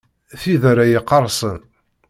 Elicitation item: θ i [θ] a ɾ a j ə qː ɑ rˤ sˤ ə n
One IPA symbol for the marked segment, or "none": ð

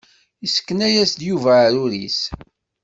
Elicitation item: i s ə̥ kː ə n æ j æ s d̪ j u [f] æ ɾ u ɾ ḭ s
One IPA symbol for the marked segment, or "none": v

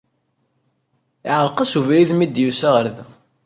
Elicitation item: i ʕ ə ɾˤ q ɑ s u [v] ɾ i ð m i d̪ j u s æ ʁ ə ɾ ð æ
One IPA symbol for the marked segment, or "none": v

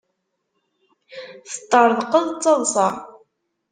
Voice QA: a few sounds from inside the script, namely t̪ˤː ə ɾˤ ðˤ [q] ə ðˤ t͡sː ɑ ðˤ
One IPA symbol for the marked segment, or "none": q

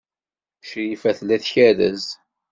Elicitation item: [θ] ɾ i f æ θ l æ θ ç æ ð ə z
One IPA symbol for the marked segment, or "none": ʃ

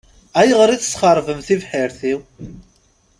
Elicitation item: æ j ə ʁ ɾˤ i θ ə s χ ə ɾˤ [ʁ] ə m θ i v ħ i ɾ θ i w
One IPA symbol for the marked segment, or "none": v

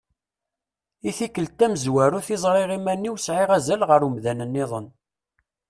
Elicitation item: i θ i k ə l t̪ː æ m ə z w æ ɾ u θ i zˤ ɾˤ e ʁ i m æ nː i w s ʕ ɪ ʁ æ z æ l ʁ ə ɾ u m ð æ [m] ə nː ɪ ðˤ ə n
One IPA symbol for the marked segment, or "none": n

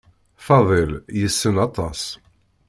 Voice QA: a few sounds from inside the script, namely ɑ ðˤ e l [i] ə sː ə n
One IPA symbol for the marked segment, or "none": j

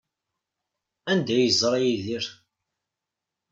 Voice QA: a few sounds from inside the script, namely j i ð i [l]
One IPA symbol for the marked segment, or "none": ɾ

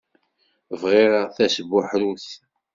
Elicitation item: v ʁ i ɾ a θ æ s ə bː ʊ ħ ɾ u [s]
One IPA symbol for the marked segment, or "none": θ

